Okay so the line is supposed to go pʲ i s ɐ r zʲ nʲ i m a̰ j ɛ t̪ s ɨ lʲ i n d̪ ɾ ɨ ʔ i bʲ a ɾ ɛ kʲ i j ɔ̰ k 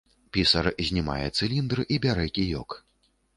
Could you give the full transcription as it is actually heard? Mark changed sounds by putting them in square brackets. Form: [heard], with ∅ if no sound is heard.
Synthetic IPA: pʲ i s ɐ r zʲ nʲ i m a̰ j ɛ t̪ s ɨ lʲ i n d̪ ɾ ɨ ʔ i bʲ a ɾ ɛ kʲ i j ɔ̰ k